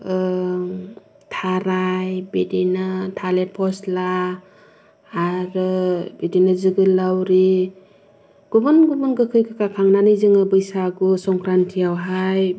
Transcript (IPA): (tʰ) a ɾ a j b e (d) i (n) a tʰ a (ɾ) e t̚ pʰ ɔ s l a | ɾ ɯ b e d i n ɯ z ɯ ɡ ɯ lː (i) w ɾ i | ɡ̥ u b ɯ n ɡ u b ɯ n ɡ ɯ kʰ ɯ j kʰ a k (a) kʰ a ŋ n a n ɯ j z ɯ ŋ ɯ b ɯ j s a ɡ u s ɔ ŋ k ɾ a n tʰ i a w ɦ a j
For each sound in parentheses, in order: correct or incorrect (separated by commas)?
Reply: correct, correct, correct, incorrect, incorrect, correct